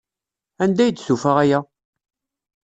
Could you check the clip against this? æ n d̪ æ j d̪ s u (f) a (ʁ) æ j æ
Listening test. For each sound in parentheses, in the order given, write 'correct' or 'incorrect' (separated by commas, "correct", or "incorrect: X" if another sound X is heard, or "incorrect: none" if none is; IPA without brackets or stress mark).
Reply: correct, correct